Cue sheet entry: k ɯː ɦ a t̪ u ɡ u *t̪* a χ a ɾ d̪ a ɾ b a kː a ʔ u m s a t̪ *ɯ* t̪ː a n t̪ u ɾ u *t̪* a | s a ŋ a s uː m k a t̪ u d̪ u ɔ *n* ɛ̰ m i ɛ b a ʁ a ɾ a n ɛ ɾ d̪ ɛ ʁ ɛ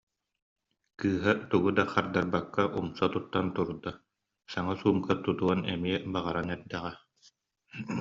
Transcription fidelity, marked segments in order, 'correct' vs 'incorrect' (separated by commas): incorrect, incorrect, incorrect, correct